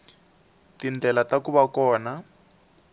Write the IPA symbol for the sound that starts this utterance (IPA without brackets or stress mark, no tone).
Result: t